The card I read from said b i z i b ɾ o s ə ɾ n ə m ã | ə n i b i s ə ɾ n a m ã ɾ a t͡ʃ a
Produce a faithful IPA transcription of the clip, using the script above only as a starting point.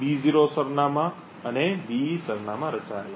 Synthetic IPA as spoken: b i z i ɾ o s ə ɾ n a m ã | ə n e b i s ə ɾ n a m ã ɾ ə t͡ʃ a